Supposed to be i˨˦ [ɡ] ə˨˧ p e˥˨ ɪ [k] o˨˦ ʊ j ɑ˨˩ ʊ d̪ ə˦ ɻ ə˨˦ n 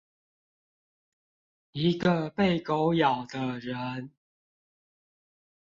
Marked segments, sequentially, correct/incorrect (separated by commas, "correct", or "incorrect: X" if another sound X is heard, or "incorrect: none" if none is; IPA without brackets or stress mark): correct, correct